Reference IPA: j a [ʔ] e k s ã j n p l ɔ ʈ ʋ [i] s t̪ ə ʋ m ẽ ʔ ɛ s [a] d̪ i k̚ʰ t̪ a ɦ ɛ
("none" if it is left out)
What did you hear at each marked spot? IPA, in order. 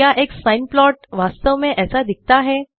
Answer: ʔ, a, a

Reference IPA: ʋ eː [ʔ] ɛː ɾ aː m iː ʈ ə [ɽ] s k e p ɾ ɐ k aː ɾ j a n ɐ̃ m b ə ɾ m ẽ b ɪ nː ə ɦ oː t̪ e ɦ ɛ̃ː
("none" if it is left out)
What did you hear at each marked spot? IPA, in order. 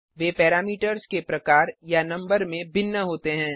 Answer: p, ɾ

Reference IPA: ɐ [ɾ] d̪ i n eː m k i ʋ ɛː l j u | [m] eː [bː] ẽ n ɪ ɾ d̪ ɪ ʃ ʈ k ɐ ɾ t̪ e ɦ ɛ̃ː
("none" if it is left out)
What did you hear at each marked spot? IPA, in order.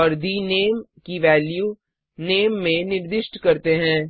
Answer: ɾ, n, mː

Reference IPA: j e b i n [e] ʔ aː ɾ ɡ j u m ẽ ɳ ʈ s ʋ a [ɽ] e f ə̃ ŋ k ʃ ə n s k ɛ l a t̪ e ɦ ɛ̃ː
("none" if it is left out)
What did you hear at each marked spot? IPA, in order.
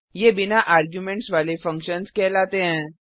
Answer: a, l

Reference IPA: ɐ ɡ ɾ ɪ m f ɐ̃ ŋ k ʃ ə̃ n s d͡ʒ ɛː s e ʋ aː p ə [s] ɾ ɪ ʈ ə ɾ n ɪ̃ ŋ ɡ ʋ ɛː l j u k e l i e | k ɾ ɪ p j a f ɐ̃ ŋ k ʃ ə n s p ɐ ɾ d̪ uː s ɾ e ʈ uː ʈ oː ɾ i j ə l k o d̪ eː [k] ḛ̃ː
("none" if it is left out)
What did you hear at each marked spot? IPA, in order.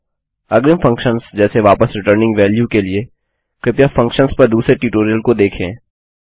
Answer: s, kʰ

